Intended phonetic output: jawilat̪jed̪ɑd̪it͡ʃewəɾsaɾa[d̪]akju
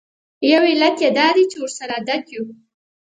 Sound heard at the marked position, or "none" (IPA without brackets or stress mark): d̪